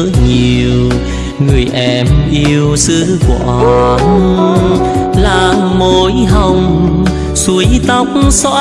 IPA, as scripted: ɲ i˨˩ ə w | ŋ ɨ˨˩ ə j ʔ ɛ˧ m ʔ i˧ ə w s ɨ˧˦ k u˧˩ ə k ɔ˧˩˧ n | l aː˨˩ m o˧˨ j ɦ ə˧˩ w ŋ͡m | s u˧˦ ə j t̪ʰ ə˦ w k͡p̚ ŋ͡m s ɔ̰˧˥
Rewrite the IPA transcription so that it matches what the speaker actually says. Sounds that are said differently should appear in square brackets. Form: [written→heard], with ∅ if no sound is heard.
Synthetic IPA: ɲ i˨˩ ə w | ŋ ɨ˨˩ ə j ʔ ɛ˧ m ʔ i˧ ə w s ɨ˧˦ k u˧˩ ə [k→ʔ] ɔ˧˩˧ n | l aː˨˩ m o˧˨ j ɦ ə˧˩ w ŋ͡m | s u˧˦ ə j [t̪ʰ→t̪] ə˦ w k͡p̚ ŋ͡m s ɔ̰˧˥